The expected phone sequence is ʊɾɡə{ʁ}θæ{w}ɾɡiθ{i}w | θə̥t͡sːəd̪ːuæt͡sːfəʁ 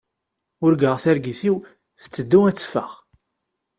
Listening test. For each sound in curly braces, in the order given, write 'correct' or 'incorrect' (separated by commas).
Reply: correct, incorrect, correct